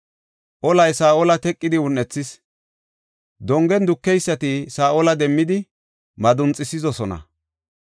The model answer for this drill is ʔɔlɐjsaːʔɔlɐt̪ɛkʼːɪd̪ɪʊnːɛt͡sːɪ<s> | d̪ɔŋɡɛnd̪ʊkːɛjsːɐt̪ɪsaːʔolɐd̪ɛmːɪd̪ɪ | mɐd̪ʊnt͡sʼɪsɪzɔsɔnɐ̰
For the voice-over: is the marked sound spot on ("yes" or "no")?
yes